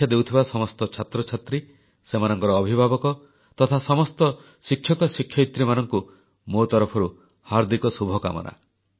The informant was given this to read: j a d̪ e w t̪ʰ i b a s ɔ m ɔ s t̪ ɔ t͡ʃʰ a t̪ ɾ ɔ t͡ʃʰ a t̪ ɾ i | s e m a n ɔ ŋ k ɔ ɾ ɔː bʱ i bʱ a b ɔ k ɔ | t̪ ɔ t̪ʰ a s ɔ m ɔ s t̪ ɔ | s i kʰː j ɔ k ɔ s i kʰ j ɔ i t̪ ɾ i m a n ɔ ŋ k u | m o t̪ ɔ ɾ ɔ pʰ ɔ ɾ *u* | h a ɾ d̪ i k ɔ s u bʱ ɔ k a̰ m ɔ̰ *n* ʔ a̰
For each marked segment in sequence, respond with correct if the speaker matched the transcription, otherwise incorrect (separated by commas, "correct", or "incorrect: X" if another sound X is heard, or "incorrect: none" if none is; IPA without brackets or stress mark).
correct, correct